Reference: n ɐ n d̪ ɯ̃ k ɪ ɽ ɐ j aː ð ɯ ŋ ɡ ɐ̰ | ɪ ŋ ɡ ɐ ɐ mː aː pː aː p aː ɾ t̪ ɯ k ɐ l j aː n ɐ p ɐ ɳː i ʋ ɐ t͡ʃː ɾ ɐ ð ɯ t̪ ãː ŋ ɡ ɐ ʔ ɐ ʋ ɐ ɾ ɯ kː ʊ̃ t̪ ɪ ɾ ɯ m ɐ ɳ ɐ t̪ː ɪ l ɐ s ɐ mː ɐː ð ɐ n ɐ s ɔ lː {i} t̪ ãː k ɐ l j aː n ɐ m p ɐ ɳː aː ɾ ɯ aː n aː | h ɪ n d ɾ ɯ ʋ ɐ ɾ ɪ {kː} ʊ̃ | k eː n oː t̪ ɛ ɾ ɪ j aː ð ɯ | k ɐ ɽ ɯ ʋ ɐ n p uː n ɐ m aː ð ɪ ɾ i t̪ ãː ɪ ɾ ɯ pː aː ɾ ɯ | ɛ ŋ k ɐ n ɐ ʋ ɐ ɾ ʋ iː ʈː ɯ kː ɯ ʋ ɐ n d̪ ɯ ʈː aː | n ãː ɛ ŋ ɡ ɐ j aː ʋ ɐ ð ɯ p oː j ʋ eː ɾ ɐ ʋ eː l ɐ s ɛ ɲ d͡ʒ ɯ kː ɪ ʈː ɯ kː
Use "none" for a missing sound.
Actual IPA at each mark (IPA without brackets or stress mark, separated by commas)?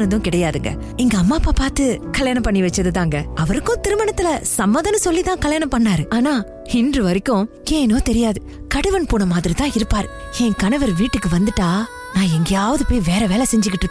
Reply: i, kː